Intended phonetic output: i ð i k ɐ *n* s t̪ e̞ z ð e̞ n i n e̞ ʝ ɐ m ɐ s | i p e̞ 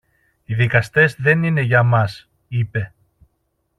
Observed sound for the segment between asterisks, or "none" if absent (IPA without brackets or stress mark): none